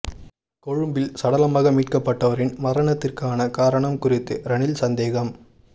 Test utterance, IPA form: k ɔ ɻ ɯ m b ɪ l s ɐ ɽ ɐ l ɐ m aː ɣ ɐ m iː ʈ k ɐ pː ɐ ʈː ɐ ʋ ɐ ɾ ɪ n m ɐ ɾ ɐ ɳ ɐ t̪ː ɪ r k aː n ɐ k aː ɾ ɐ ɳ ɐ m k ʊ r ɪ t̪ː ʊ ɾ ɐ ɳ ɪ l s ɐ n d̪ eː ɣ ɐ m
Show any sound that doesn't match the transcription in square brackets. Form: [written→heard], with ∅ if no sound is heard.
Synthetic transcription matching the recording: k ɔ ɻ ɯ m b ɪ l s ɐ ɽ ɐ l ɐ m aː ɣ ɐ m iː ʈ k ɐ pː ɐ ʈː ɐ ʋ ɐ ɾ ɪ n m ɐ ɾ ɐ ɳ ɐ t̪ː ɪ r k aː n ɐ k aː ɾ ɐ ɳ ɐ m k ʊ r ɪ t̪ː [ʊ→ɯ] ɾ ɐ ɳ ɪ l s ɐ n d̪ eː ɣ ɐ m